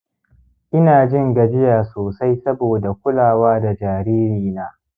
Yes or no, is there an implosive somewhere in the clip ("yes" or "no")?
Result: no